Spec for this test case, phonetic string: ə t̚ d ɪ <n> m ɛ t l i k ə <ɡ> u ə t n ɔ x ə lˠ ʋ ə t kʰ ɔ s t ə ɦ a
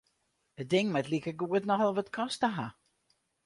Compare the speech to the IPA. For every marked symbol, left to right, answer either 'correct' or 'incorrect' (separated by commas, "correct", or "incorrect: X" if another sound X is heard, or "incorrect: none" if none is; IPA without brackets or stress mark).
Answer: incorrect: ŋ, correct